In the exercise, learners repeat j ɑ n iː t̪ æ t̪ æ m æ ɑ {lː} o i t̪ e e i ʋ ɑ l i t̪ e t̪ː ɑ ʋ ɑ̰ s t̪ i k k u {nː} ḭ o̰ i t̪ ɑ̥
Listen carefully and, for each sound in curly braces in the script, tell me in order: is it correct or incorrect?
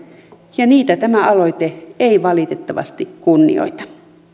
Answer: incorrect, correct

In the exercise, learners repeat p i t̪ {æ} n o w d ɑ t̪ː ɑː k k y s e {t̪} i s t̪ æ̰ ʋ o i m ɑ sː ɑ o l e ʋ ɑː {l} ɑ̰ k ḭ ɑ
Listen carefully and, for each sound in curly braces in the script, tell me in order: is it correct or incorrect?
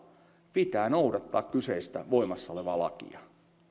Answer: incorrect, incorrect, correct

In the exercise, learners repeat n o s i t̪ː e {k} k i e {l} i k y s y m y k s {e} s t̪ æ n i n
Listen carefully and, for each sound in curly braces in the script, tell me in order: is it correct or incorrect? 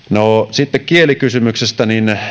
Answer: correct, correct, correct

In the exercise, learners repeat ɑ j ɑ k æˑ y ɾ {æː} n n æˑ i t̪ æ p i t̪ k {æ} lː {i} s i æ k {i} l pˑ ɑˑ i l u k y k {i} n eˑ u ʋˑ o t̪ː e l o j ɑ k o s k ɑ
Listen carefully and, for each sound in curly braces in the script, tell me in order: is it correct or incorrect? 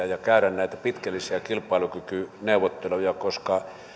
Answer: incorrect, correct, correct, correct, incorrect

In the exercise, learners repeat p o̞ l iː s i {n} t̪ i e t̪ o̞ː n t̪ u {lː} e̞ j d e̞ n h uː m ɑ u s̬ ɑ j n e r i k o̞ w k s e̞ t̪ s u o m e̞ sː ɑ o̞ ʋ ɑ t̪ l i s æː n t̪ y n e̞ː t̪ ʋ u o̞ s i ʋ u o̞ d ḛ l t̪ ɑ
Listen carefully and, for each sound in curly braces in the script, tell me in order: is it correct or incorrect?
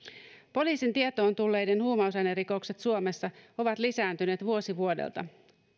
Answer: correct, correct

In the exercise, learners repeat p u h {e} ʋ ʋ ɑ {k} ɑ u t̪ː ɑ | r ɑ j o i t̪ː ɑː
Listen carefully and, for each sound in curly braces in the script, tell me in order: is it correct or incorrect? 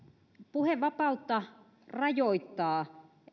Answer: correct, incorrect

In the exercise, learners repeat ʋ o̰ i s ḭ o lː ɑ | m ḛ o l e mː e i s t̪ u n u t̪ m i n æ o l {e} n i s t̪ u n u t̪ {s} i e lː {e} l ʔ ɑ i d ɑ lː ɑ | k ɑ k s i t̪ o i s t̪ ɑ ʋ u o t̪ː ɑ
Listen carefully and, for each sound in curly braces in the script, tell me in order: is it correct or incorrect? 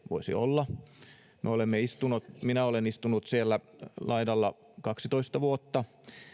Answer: correct, correct, incorrect

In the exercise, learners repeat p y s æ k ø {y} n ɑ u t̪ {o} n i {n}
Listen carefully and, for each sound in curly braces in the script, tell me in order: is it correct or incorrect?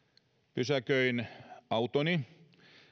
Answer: incorrect, correct, incorrect

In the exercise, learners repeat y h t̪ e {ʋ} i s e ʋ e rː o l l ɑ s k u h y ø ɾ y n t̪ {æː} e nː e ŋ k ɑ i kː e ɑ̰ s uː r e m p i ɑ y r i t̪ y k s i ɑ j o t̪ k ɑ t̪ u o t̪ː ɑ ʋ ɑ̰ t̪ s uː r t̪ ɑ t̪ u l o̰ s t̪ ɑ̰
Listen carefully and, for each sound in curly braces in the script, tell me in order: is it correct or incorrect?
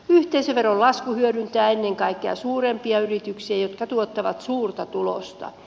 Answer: incorrect, correct

